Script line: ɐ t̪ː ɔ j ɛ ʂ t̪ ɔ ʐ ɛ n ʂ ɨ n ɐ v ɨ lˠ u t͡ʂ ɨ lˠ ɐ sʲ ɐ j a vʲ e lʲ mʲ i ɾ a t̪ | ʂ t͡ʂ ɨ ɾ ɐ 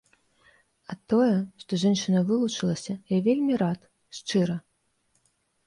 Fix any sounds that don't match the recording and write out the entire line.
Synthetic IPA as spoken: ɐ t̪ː ɔ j ɛ ʂ t̪ ɔ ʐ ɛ n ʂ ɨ n ɐ v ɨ lˠ u t͡ʂ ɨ lˠ ɐ sʲ ɐ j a vʲ e lʲ mʲ i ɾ a t̪ | ʂ t͡ʂ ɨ ɾ ɐ